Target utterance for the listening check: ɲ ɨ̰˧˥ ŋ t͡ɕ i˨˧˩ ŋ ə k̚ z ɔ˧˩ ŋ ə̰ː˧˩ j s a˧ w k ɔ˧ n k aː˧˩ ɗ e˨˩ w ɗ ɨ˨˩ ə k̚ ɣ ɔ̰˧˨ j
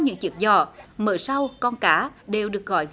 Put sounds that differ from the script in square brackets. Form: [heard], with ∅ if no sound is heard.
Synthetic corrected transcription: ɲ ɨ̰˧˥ ŋ t͡ɕ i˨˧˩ [∅] ə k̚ z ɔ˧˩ [m] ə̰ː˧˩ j s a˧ w k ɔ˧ n k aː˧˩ ɗ e˨˩ w ɗ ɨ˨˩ ə k̚ ɣ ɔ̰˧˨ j